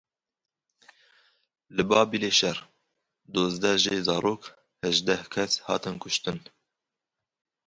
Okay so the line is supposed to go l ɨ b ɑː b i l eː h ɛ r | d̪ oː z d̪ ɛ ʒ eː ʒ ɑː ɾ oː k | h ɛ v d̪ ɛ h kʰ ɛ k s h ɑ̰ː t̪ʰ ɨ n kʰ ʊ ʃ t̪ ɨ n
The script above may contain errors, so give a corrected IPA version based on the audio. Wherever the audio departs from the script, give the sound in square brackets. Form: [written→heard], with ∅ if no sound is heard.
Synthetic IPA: l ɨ b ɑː b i l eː [h→ʃ] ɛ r | d̪ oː z d̪ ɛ ʒ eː [ʒ→z] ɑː ɾ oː k | h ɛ [v→ʒ] d̪ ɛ h kʰ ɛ [k→∅] s h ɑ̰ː [t̪ʰ→t̪] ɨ n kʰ ʊ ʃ t̪ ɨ n